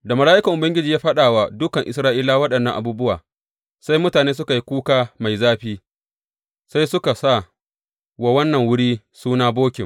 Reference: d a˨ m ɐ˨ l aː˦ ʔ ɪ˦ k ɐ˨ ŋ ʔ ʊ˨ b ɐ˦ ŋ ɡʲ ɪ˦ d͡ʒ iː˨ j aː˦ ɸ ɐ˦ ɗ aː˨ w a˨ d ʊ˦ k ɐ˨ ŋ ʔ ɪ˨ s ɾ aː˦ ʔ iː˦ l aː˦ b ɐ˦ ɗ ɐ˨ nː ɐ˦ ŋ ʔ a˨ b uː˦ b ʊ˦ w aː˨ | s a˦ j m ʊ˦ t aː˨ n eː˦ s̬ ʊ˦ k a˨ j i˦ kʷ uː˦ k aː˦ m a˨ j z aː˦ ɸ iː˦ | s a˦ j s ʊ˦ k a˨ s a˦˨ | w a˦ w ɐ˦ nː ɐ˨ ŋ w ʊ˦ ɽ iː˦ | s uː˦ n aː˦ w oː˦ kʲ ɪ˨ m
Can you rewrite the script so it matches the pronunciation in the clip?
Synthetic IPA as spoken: d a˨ m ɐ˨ l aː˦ ʔ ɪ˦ k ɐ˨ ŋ ʔ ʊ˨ b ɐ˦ ŋ ɡʲ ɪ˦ d͡ʒ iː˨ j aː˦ ɸ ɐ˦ ɗ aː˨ w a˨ d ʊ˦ k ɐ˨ ŋ ʔ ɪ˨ s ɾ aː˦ ʔ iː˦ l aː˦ w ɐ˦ ɗ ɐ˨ nː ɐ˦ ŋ ʔ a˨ b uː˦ b ʊ˦ w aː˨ | s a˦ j m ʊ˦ t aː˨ n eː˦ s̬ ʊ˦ k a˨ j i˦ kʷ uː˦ k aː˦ m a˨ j z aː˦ ɸ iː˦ | s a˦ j s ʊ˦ k a˨ s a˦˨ | w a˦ w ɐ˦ nː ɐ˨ ŋ w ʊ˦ ɽ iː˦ | s uː˦ n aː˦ b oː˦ kʲ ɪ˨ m